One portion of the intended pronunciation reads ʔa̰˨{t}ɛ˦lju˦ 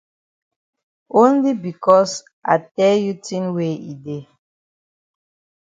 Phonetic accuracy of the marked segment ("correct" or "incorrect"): correct